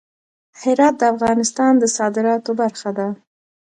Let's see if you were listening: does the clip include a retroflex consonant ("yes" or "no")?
no